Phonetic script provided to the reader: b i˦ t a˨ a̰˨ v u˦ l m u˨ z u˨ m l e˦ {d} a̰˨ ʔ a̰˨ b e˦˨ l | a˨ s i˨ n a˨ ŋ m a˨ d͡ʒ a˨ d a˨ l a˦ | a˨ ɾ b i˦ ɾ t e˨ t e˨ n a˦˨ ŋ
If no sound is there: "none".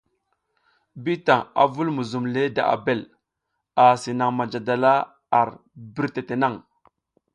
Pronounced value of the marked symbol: d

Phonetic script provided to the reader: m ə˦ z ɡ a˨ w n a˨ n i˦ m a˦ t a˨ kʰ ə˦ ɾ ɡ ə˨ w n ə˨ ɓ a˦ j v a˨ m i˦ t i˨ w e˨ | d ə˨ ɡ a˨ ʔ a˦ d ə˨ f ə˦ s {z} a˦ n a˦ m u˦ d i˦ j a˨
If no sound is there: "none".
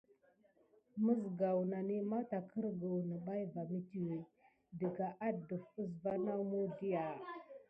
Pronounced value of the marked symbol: v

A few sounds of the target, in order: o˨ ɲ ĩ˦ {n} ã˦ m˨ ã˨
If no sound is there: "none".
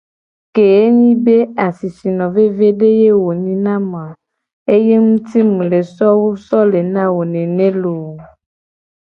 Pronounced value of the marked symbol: n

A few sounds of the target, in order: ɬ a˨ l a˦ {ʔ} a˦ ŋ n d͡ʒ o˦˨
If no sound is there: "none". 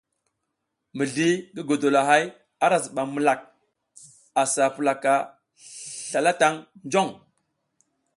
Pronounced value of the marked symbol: t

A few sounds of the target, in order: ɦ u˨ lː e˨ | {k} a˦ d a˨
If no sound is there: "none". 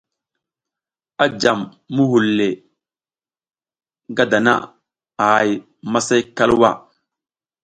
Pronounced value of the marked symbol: ɡ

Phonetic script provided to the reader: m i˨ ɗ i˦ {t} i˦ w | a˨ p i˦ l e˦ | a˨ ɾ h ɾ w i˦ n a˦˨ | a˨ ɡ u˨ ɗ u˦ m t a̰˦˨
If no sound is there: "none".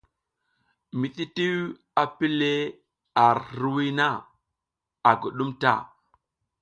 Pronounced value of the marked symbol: t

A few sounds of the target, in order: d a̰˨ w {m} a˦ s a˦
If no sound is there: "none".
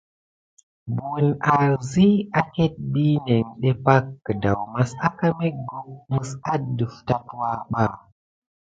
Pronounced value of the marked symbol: m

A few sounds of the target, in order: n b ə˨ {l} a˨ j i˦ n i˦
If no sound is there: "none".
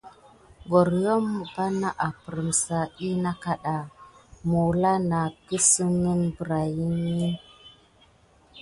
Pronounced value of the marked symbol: ɾ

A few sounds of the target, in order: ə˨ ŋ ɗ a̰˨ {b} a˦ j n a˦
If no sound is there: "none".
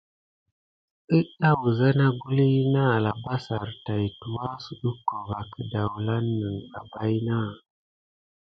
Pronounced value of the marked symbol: b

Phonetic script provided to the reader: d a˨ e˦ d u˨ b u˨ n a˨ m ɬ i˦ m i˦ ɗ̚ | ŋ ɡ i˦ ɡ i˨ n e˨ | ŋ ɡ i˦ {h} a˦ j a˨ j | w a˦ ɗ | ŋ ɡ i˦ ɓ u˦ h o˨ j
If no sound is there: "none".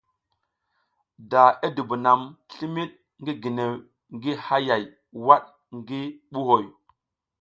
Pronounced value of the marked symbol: h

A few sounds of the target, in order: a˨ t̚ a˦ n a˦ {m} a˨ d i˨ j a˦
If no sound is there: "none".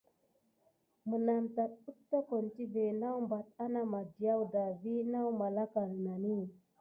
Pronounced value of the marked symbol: m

